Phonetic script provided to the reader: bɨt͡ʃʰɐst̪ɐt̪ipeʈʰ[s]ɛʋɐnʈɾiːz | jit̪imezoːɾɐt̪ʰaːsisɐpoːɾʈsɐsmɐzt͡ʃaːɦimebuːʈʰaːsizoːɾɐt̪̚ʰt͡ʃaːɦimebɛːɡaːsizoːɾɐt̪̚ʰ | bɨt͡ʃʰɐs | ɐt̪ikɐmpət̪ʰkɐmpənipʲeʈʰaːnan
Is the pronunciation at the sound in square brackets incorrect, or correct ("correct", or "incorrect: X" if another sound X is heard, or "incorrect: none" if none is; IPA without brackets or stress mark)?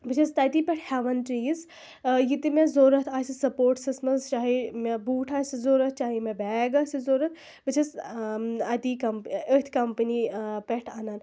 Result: incorrect: h